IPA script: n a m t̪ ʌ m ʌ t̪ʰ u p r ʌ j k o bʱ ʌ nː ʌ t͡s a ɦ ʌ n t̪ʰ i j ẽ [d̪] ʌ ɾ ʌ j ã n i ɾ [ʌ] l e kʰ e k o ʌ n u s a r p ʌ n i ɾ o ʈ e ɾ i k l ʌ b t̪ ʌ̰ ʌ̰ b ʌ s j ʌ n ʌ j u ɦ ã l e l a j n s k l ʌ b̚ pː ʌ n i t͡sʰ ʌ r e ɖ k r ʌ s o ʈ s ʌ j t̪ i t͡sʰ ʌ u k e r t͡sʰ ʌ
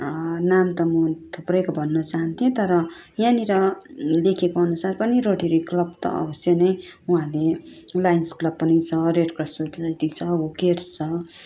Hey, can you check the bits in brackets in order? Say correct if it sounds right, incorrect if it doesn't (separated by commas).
incorrect, correct